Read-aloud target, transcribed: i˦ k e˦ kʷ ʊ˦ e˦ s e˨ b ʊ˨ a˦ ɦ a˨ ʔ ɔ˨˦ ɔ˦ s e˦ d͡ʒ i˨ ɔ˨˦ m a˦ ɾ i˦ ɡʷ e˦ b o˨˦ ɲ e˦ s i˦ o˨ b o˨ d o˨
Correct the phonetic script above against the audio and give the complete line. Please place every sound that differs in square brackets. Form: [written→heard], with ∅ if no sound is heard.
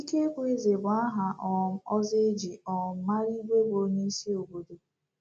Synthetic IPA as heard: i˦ k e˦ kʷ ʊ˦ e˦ [s→z] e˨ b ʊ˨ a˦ ɦ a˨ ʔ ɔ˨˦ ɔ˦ [s→z] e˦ d͡ʒ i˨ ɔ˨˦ m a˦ ɾ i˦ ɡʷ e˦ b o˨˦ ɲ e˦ s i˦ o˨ b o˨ d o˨